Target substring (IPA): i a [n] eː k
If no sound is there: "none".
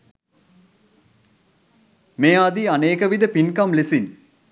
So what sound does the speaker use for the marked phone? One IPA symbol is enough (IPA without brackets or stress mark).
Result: n